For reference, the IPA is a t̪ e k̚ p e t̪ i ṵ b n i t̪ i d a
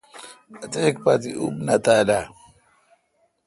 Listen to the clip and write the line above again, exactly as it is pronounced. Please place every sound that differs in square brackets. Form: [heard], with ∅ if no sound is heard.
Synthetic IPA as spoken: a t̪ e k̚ p [a] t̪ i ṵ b n [a] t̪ [a] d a